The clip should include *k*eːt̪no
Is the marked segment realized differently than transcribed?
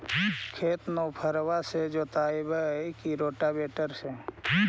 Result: yes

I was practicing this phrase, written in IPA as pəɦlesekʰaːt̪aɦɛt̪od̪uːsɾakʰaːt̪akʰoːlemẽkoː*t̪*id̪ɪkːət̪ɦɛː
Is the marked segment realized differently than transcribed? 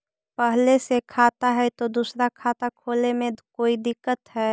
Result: yes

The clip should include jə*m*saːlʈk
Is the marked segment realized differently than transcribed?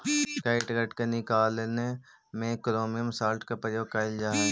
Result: no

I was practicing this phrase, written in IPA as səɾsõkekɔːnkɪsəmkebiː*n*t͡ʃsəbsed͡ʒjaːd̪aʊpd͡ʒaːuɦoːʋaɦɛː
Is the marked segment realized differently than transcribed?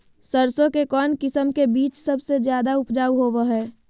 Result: yes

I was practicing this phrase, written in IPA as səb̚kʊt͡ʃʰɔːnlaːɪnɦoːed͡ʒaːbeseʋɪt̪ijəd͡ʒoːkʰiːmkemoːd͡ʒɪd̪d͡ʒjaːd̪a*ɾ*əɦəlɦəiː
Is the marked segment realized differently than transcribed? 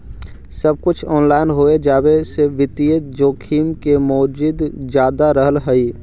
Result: no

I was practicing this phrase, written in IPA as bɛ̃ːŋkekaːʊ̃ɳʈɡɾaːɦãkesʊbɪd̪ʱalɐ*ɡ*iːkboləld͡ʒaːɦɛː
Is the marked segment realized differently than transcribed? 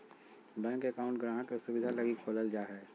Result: no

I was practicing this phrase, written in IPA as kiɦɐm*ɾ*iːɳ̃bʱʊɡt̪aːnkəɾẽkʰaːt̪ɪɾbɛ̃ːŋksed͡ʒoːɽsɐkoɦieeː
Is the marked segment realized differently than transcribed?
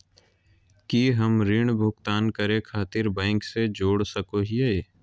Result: no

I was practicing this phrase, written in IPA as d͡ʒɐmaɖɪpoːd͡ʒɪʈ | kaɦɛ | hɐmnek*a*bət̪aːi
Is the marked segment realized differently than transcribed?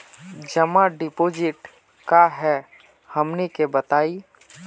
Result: yes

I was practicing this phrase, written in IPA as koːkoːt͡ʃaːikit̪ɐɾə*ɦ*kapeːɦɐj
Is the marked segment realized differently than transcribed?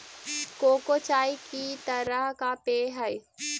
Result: no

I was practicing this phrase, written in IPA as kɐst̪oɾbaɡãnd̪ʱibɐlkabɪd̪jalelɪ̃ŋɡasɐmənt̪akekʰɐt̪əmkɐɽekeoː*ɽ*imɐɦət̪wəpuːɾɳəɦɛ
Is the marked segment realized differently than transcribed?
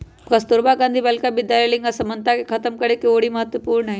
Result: no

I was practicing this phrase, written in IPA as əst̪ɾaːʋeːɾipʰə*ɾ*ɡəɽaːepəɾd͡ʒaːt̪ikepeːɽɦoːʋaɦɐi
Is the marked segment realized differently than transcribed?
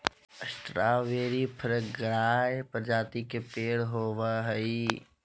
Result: no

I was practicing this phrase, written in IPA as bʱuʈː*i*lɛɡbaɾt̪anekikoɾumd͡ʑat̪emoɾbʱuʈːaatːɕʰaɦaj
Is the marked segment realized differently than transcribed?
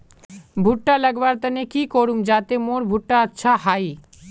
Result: yes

